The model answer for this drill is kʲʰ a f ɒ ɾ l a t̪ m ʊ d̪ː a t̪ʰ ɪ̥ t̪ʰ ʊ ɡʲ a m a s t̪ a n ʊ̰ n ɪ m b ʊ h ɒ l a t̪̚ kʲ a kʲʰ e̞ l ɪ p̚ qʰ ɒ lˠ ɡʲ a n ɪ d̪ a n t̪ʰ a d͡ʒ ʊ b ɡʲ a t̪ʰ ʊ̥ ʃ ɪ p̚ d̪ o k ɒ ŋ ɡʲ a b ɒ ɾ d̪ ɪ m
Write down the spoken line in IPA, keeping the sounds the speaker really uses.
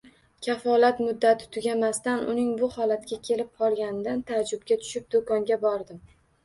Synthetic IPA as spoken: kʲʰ a f ɒ l a t̪ m ʊ d̪ː a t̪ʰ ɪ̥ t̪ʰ ʊ ɡʲ a m a s t̪ a n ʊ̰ n ɪ ŋ b ʊ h ɒ l a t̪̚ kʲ a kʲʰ e̞ l ɪ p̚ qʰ ɒ lˠ ɡʲ a n ɪ d̪ a n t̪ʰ a d͡ʒ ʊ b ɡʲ a t̪ʰ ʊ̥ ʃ ɪ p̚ d̪ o k ɒ ŋ ɡʲ a b ɒ ɾ d̪ ɪ m